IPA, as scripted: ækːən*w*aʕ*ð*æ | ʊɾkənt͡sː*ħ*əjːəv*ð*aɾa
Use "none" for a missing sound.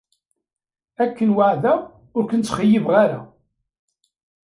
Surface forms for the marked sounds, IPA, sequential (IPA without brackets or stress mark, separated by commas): w, ð, χ, ʁ